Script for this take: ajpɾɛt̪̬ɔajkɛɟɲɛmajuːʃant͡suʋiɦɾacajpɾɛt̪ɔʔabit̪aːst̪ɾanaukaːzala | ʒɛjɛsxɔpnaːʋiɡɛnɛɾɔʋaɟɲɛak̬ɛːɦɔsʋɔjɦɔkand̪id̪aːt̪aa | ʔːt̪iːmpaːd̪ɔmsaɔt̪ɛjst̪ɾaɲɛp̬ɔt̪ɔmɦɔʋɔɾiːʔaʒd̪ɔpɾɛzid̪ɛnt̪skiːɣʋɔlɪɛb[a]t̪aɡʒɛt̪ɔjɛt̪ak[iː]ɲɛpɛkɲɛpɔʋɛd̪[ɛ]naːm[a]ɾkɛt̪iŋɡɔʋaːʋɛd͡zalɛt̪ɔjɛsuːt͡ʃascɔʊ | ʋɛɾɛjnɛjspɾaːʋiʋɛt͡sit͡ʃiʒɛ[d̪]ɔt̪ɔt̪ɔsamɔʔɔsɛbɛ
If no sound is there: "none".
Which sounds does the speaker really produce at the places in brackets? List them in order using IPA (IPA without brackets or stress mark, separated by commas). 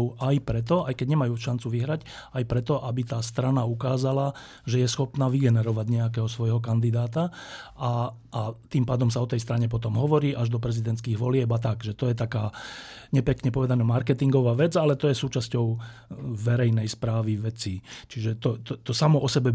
a, aː, a, a, t̪